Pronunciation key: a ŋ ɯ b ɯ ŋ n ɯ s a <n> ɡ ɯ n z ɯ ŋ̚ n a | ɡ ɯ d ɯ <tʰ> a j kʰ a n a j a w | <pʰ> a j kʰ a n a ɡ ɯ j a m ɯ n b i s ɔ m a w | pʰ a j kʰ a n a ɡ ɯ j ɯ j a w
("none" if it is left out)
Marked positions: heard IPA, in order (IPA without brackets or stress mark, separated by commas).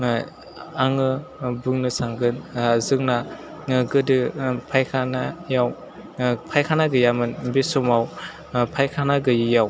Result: ŋ, pʰ, pʰ